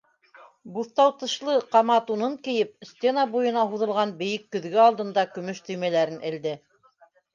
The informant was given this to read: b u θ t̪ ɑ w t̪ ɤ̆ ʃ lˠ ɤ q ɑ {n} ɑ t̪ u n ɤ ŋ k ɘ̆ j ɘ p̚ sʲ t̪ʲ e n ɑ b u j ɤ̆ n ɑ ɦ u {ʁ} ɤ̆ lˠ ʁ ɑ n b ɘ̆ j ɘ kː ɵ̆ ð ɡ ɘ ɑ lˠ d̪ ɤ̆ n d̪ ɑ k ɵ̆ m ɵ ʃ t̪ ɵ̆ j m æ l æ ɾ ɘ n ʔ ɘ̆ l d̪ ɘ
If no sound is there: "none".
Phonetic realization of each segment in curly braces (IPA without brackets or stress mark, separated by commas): m, ð